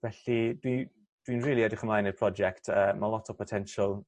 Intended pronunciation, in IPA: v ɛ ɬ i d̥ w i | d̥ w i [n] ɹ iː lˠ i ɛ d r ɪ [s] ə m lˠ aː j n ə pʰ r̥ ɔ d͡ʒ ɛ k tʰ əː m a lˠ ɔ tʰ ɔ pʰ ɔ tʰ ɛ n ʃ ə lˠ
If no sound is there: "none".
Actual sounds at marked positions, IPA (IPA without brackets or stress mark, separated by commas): n, χ